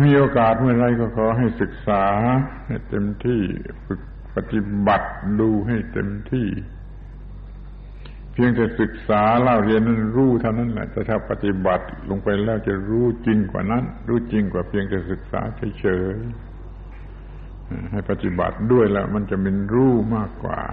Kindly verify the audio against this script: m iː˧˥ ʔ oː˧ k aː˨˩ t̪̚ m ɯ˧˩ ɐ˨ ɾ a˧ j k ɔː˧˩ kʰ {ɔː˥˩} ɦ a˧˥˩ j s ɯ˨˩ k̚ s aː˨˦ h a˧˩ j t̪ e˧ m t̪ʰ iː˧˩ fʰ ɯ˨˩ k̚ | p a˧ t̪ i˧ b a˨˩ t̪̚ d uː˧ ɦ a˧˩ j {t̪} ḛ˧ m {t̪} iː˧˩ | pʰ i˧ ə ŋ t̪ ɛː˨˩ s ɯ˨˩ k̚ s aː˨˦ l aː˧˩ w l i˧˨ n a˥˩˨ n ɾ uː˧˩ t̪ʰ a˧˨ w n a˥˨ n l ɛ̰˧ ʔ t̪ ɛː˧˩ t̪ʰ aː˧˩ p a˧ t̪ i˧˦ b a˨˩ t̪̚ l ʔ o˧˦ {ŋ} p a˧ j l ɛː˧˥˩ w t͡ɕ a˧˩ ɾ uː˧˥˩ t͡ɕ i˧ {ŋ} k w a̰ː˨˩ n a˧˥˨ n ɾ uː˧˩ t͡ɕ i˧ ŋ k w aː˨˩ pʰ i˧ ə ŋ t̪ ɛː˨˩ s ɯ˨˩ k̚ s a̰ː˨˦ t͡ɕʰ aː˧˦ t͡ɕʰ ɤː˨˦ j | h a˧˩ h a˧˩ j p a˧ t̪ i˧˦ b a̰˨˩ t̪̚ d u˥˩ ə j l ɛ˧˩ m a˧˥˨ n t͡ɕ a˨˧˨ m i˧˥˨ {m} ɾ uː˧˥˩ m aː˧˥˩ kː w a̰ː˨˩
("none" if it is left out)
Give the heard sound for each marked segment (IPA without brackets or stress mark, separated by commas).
ɔː˨˦, t̪, t̪ʰ, ŋ, ŋ, n